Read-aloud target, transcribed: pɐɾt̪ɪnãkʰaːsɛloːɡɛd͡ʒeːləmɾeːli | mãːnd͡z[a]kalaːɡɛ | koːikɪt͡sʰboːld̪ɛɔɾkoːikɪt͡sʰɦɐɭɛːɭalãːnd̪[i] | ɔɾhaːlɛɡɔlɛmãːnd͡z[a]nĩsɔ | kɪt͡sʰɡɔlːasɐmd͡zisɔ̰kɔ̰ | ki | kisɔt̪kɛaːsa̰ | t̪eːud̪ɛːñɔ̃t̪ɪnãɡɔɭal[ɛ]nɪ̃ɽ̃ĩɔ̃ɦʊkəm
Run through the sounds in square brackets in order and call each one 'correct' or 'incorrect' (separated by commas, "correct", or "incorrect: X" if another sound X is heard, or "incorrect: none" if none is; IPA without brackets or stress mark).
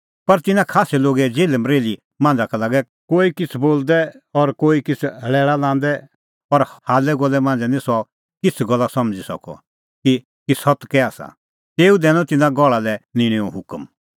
correct, incorrect: ɛ, incorrect: ɛ, correct